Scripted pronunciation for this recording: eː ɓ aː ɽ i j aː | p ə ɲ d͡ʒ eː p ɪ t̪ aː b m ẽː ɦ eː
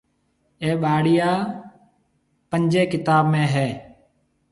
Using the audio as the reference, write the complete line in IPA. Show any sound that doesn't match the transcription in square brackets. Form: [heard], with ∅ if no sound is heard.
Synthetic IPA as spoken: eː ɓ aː ɽ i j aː | p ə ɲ d͡ʒ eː [k] ɪ t̪ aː b m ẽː ɦ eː